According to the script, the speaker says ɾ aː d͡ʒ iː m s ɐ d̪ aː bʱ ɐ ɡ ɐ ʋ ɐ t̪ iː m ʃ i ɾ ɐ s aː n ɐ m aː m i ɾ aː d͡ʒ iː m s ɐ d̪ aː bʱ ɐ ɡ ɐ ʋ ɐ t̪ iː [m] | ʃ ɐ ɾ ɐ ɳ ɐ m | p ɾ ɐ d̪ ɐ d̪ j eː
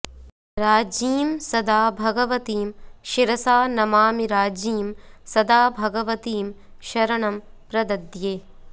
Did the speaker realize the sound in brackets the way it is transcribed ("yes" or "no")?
yes